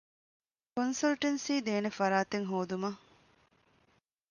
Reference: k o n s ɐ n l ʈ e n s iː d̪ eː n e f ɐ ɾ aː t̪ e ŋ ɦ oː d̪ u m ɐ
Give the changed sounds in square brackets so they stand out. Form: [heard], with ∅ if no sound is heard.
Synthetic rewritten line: k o n s ɐ [∅] l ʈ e n s iː d̪ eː n e f ɐ ɾ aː t̪ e ŋ ɦ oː d̪ u m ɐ

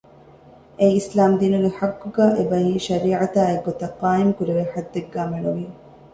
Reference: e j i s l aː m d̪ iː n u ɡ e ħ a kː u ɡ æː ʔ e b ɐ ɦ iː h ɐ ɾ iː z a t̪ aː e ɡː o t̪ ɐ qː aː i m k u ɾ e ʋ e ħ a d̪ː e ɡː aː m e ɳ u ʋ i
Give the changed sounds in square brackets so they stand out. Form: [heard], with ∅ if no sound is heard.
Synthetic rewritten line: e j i s l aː m d̪ iː n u ɡ e ħ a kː u ɡ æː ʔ e b ɐ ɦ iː [ʃ] ɐ ɾ iː [ʕ] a t̪ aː e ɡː o t̪ ɐ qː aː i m k u ɾ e ʋ e ħ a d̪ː e ɡː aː m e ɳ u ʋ i

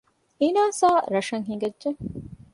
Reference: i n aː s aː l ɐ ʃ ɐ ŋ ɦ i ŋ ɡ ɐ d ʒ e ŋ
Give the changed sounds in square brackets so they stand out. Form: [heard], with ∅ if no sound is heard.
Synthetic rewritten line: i n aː s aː [ɾ] ɐ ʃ ɐ ŋ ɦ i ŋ ɡ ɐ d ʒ e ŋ

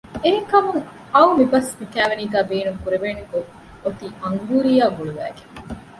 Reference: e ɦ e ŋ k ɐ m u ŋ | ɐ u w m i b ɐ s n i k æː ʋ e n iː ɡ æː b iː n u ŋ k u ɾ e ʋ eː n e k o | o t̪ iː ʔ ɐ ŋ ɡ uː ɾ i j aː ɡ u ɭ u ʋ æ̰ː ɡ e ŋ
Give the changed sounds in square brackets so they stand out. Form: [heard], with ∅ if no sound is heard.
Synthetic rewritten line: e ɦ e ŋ k ɐ m u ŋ | ɐ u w m i b ɐ s [m] i k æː ʋ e n iː ɡ æː b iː n u ŋ k u ɾ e ʋ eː n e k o | o t̪ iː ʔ ɐ ŋ ɡ uː ɾ i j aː ɡ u ɭ u ʋ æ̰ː ɡ e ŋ

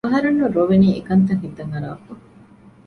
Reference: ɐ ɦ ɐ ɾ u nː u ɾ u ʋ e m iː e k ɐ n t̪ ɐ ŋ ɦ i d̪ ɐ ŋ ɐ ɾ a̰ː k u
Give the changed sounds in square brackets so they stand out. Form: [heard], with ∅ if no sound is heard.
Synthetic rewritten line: ɐ ɦ ɐ ɾ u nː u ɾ [o] ʋ e [n] iː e k ɐ n t̪ ɐ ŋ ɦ i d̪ ɐ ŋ ɐ ɾ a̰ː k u

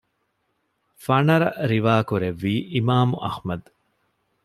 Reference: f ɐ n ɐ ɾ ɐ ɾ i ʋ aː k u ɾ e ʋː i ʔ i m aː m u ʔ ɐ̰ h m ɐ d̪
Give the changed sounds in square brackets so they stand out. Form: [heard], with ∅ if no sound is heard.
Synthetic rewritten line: f ɐ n ɐ ɾ ɐ ɾ i ʋ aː k u ɾ e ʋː [iː] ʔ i m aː m u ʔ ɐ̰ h m ɐ d̪

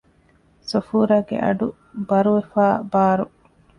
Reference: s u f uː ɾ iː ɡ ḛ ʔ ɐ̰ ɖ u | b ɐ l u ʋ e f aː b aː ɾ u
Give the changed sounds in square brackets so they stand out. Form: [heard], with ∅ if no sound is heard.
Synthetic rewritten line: s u f uː ɾ [aː] ɡ ḛ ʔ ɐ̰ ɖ u | b ɐ [ɾ] u ʋ e f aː b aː ɾ u

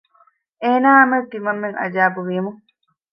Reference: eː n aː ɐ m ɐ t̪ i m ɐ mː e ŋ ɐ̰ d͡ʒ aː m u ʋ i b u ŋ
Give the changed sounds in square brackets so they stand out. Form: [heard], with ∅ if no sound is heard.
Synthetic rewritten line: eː n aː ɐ m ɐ t̪ i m ɐ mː e ŋ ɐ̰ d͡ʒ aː [b] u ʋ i [m] u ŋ

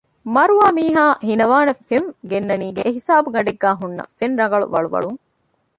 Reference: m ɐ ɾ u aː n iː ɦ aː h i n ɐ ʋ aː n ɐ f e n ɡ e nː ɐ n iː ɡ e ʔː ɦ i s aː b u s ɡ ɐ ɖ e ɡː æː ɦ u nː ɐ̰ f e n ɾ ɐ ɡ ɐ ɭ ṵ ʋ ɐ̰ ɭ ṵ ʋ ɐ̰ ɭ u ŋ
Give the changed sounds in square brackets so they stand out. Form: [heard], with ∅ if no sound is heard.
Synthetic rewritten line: m ɐ ɾ u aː [m] iː ɦ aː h i n ɐ ʋ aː n ɐ f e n ɡ e nː ɐ n iː ɡ e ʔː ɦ i s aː b u [∅] ɡ ɐ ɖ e ɡː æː ɦ u nː ɐ̰ f e n ɾ ɐ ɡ ɐ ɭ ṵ ʋ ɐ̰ ɭ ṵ ʋ ɐ̰ ɭ u ŋ

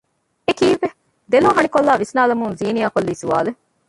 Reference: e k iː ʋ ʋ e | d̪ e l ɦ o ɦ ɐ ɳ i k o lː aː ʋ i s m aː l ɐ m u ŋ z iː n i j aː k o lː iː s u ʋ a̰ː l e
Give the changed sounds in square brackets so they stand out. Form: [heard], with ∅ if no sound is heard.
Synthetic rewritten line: e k iː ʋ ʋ e | d̪ e l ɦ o ɦ ɐ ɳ i k o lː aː ʋ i s [n] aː l ɐ m u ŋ z iː n i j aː k o lː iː s u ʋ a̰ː l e

